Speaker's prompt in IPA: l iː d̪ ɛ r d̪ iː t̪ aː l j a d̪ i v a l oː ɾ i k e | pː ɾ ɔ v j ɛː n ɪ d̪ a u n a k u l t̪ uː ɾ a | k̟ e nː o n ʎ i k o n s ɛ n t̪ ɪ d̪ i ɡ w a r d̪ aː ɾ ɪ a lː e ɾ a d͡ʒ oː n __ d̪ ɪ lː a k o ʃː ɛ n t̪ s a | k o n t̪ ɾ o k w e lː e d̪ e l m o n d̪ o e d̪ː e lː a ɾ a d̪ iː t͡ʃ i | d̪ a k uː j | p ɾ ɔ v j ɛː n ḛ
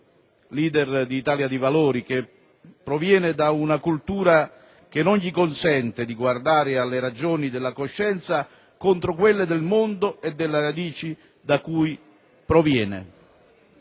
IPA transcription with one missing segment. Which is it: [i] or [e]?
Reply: i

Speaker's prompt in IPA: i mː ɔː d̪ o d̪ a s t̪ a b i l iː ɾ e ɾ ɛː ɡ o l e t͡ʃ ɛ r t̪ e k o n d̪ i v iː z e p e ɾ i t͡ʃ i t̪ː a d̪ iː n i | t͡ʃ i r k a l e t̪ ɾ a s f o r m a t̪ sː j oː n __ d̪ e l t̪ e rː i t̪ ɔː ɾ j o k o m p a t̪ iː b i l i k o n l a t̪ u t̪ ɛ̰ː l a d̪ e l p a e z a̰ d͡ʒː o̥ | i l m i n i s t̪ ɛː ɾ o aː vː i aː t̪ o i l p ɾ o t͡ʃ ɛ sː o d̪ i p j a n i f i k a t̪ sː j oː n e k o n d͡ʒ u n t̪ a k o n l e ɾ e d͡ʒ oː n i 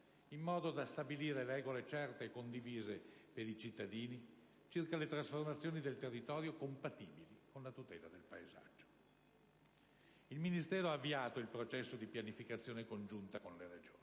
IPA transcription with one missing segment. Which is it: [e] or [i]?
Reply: i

